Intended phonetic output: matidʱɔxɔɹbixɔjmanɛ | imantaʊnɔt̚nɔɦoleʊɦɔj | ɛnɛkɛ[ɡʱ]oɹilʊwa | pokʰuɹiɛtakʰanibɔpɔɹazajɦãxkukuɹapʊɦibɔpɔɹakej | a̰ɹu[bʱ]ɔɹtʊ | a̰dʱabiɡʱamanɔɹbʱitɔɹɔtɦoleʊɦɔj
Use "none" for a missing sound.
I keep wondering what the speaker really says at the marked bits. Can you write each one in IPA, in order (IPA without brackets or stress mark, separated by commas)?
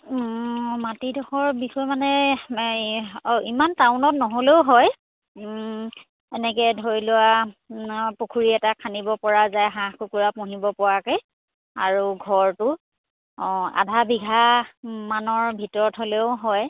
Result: dʱ, ɡʱ